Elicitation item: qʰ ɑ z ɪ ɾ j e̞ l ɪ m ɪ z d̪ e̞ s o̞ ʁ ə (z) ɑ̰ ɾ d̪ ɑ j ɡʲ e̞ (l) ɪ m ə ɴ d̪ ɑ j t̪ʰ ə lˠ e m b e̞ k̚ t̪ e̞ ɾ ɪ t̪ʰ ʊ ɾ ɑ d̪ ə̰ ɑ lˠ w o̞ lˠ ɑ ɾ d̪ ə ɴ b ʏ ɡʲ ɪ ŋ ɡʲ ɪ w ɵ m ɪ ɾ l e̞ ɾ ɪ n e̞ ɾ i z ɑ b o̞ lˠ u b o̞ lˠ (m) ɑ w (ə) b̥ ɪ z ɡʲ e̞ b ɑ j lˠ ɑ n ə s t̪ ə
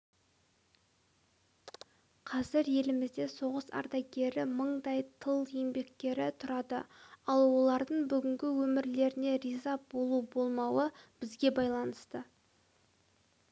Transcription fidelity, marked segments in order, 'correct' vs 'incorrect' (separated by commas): incorrect, incorrect, correct, correct